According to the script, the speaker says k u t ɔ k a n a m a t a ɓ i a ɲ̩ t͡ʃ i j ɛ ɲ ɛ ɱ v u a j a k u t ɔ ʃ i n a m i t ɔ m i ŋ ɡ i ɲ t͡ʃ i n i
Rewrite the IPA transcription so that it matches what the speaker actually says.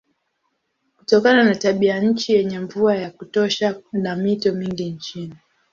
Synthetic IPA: k u t ɔ k a n a n a t a ɓ i a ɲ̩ t͡ʃ i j ɛ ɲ ɛ ɱ v u a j a k u t ɔ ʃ a n a m i t ɔ m i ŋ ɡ i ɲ t͡ʃ i n i